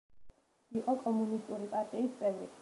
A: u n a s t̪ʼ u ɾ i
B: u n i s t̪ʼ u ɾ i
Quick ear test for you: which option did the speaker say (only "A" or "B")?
B